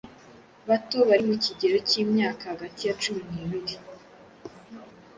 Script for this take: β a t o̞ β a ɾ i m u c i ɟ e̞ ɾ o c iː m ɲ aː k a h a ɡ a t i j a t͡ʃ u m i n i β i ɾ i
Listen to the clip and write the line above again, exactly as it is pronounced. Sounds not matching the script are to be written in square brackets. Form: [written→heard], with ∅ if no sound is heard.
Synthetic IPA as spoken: β a t o̞ β a ɾ i m u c i ɟ e̞ ɾ o c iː m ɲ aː k a h a ɡ a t i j a t͡ʃ u m i n i β i ɾ i